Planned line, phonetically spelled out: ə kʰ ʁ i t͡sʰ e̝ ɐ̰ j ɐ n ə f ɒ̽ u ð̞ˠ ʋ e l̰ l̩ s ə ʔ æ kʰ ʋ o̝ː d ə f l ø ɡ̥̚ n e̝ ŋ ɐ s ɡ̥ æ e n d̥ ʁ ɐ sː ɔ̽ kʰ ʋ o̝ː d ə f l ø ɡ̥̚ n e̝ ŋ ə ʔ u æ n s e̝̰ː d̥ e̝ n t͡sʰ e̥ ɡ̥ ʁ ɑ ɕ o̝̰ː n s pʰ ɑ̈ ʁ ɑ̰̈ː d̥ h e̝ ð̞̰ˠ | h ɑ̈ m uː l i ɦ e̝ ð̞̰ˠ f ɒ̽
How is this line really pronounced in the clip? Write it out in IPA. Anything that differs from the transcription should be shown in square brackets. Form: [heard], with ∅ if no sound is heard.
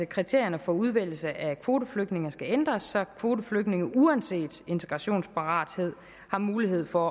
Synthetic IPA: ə kʰ ʁ i t͡sʰ e̝ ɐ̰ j ɐ n ə f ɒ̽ u ð̞ˠ ʋ e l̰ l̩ s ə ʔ æ kʰ ʋ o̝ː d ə f l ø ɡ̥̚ n e̝ ŋ ɐ s ɡ̥ æ e n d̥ ʁ ɐ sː [ɒ̽] kʰ ʋ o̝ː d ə f l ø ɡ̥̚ n e̝ ŋ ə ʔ u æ n s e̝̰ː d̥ e̝ n t͡sʰ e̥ ɡ̥ ʁ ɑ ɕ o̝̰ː n s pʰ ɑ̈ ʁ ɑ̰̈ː d̥ h e̝ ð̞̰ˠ | h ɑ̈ m uː l i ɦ e̝ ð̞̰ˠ f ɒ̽

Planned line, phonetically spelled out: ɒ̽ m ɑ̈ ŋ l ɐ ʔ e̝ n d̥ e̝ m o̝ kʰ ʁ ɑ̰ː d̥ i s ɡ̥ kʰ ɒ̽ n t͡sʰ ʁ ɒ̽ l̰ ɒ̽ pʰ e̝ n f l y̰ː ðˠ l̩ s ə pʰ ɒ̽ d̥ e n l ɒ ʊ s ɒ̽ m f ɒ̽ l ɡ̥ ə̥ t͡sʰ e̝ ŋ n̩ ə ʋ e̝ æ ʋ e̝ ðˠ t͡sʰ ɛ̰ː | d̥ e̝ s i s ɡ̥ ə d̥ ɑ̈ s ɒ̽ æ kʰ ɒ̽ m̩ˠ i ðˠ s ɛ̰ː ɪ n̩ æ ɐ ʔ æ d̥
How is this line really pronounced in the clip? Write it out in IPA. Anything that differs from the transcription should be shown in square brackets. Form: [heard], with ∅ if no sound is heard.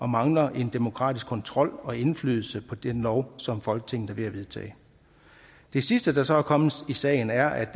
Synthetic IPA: ɒ̽ m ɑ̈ ŋ l ɐ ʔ e̝ n d̥ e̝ m o̝ kʰ ʁ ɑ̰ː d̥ i s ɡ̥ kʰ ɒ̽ n t͡sʰ ʁ ɒ̽ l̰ ɒ̽ [∅] e̝ n f l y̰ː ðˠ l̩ s ə pʰ ɒ̽ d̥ e n l ɒ ʊ s ɒ̽ m f ɒ̽ l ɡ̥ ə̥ t͡sʰ e̝ ŋ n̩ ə ʋ e̝ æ ʋ e̝ ðˠ t͡sʰ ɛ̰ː | d̥ e̝ s i s [d̥] ə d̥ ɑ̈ s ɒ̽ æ kʰ ɒ̽ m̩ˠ i [∅] s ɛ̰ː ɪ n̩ æ ɐ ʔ æ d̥

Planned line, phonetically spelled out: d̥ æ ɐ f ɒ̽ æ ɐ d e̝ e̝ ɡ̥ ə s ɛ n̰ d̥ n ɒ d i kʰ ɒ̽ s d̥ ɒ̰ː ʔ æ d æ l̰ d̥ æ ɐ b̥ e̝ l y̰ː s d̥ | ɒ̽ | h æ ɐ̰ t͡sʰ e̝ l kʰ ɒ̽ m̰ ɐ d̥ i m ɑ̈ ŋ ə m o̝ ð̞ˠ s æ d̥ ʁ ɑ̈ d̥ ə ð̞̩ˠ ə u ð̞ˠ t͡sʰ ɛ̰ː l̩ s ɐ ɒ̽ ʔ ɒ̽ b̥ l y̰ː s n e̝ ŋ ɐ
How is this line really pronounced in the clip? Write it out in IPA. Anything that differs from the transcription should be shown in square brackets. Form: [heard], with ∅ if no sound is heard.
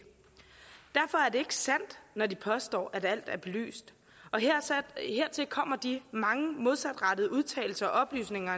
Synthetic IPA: d̥ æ ɐ f ɒ̽ æ ɐ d e̝ e̝ ɡ̥ ə s [æ] n̰ d̥ n ɒ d i [pʰ] ɒ̽ s d̥ ɒ̰ː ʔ æ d æ l̰ d̥ æ ɐ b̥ e̝ l y̰ː s d̥ | ɒ̽ | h [e] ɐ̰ t͡sʰ e̝ l kʰ ɒ̽ m̰ ɐ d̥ i m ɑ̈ ŋ ə m o̝ ð̞ˠ s æ d̥ ʁ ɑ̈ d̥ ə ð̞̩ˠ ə u ð̞ˠ t͡sʰ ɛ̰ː l̩ s ɐ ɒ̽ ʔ ɒ̽ b̥ l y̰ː s n e̝ ŋ ɐ

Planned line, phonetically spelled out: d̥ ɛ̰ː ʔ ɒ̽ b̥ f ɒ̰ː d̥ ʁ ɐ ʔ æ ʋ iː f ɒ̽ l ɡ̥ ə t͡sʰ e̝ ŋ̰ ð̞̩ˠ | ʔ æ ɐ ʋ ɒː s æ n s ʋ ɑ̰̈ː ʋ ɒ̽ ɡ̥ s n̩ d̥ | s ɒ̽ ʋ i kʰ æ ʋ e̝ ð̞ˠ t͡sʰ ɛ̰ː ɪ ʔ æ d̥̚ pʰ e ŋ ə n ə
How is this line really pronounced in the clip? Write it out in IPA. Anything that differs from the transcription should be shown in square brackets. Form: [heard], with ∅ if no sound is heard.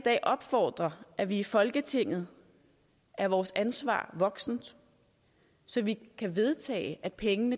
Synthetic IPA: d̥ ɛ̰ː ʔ ɒ̽ b̥ f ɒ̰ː d̥ ʁ ɐ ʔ æ ʋ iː f ɒ̽ l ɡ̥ ə t͡sʰ e̝ ŋ̰ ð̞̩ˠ | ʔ æ ɐ ʋ ɒː s æ n s ʋ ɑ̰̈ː ʋ ɒ̽ ɡ̥ s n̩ d̥ | s ɒ̽ ʋ i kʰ æ ʋ e̝ ð̞ˠ t͡sʰ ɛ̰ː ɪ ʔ æ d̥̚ pʰ e ŋ ə n ə

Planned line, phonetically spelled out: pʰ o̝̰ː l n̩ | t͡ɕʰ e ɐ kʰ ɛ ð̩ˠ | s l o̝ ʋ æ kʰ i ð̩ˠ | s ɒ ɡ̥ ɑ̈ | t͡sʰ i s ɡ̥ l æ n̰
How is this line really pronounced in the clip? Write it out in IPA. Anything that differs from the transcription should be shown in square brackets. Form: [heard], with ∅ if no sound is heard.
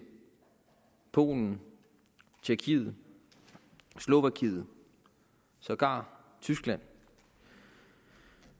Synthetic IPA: pʰ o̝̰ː l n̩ | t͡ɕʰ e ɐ kʰ [i] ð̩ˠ | s l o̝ ʋ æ kʰ i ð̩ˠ | s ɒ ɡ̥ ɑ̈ | t͡sʰ [y] s ɡ̥ l æ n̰

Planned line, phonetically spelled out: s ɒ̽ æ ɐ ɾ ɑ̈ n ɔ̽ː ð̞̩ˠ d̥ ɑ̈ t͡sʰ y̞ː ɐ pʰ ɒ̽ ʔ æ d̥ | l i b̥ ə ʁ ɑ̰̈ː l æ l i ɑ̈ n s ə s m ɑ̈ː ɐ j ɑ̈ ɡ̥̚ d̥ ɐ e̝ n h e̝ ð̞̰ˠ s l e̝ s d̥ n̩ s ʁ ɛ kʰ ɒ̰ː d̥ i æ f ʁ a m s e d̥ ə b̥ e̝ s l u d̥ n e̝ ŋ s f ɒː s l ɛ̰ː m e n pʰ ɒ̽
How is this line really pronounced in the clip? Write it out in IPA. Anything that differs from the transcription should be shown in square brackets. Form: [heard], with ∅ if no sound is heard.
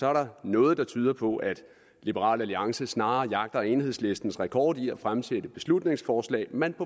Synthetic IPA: s ɒ̽ æ ɐ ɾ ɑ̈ n ɔ̽ː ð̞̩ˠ d̥ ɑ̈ t͡sʰ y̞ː ɐ pʰ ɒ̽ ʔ æ d̥ | l i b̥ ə ʁ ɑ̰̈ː l æ l i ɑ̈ [ŋ] s ə s [n] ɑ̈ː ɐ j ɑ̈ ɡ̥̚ d̥ ɐ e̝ n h e̝ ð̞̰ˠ s l e̝ s d̥ n̩ s ʁ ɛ kʰ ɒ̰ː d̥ i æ f ʁ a m s e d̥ ə b̥ e̝ s l u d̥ n e̝ ŋ s f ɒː s l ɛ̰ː m e n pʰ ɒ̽

